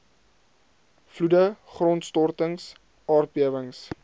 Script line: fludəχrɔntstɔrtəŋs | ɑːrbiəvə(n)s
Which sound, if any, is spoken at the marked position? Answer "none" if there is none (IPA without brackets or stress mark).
ŋ